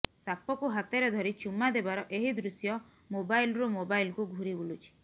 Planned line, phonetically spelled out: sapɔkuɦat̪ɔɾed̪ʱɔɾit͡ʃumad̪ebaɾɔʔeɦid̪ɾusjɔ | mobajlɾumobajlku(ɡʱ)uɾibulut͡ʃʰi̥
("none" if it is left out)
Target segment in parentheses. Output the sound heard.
ɡʱ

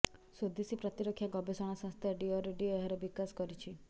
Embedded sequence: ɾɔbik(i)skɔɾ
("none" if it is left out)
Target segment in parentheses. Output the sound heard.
a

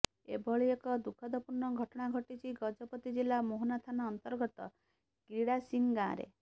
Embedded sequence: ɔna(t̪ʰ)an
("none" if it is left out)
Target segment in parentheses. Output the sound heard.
t̪ʰ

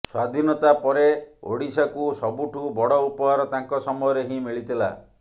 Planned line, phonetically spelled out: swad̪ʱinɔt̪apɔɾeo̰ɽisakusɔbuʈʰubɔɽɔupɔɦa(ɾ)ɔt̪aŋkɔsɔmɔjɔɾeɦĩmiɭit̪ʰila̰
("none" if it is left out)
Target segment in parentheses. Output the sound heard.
ɾ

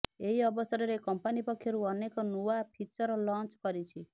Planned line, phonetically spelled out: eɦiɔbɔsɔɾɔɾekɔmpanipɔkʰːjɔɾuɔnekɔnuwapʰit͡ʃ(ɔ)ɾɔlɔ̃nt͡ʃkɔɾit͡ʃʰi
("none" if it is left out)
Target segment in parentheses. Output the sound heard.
ɔ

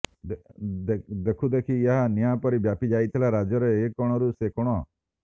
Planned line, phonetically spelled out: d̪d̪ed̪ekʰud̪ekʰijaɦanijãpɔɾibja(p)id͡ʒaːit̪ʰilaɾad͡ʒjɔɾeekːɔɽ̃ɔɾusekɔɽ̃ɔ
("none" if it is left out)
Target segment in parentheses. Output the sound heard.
p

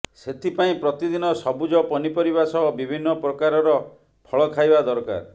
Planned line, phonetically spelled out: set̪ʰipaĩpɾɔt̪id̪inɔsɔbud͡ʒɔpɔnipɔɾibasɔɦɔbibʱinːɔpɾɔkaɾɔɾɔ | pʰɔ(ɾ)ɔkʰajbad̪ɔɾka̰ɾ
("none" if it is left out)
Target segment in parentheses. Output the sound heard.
ɭ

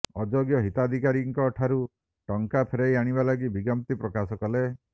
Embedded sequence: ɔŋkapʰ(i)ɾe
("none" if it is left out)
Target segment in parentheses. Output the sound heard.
e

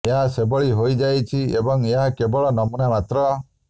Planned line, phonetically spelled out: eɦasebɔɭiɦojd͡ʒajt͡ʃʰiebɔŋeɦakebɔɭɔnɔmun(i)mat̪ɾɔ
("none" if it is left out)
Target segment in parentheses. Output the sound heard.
a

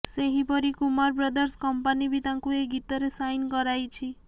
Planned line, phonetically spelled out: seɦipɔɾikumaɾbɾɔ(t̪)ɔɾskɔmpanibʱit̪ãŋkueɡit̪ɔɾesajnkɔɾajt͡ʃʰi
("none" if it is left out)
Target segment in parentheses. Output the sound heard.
d̪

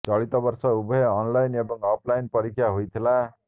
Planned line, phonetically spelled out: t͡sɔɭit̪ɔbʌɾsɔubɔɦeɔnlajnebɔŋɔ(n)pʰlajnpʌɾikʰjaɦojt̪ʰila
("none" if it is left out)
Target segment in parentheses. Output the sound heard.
none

